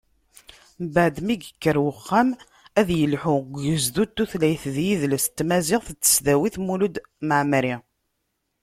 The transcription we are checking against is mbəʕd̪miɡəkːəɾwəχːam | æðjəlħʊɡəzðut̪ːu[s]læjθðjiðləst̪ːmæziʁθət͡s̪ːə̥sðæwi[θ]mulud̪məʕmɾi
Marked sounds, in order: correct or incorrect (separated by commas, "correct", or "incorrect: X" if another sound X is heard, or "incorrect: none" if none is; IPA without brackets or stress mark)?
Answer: incorrect: θ, correct